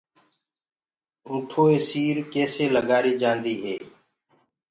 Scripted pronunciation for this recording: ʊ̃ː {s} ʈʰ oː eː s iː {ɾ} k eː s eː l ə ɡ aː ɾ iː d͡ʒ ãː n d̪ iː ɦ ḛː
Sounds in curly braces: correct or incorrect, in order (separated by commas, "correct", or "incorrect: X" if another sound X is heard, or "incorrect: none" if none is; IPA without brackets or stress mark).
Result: incorrect: none, correct